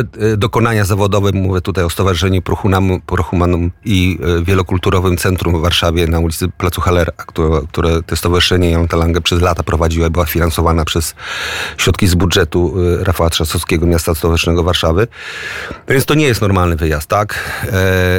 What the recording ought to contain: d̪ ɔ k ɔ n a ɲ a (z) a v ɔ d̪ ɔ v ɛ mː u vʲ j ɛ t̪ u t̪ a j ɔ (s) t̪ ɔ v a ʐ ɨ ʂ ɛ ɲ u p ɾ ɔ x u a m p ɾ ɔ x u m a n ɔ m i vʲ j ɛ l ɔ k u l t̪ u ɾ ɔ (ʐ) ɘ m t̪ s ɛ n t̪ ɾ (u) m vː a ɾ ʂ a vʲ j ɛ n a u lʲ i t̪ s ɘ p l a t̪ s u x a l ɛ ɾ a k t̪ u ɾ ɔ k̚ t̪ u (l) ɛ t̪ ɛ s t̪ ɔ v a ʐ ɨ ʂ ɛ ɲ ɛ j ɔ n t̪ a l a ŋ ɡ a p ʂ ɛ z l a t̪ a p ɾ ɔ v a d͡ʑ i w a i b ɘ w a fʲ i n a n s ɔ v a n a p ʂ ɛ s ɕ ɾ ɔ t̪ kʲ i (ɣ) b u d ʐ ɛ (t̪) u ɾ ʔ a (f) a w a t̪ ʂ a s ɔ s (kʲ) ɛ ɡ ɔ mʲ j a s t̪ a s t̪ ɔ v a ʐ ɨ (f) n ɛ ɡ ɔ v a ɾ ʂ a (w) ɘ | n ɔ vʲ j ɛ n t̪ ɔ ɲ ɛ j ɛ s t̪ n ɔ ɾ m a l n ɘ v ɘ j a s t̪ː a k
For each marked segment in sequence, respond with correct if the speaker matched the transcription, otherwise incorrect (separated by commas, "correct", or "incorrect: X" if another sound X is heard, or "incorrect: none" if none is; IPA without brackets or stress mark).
correct, correct, incorrect: v, correct, incorrect: ɾ, incorrect: z, correct, correct, correct, incorrect: ʂ, incorrect: v